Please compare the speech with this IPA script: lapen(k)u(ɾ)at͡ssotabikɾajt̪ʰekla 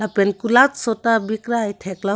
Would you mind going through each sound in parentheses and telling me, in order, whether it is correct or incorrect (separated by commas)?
correct, incorrect